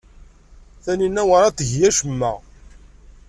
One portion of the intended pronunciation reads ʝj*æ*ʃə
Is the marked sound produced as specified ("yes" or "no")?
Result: yes